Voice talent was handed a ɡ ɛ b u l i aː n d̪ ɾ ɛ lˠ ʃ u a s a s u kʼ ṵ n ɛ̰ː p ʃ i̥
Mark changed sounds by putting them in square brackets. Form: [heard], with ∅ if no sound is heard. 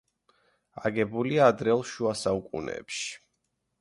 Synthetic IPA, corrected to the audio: a ɡ ɛ b u l i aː [∅] d̪ ɾ ɛ lˠ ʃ u a s a [∅] u kʼ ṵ n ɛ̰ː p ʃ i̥